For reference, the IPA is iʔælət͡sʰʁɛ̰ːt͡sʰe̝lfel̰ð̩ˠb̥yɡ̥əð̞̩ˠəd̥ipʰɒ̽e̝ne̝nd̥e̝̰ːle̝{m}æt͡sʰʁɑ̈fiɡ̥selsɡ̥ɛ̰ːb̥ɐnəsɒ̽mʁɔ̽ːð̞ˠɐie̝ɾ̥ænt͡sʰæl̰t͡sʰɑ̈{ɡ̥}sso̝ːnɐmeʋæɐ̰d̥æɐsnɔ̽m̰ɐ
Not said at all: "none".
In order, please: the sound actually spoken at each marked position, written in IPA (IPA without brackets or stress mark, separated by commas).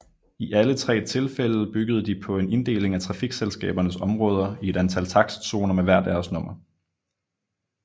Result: ŋ, ɡ̥